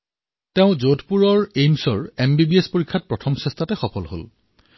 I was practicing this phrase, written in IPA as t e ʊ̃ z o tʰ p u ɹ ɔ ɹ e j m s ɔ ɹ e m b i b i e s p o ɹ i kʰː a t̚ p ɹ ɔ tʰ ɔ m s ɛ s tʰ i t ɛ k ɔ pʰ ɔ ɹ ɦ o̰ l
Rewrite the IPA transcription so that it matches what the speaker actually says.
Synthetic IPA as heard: t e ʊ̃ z o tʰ p u ɹ ɔ ɹ e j m s ɔ ɹ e m b i b i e s p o ɹ i kʰː a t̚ p ɹ ɔ tʰ ɔ m s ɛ s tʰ a t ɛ x ɔ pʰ ɔ l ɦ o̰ l